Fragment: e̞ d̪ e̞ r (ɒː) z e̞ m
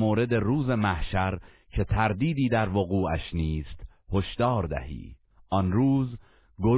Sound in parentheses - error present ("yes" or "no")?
yes